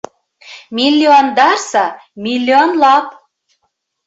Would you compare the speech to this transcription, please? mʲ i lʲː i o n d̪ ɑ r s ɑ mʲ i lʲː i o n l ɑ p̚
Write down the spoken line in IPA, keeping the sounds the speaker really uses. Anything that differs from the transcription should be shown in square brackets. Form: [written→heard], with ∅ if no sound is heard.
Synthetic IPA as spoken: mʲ i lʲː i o n d̪ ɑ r s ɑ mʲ i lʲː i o n l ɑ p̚